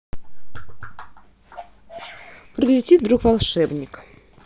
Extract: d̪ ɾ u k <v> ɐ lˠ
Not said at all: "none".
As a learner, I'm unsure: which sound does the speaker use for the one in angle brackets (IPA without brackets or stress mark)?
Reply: v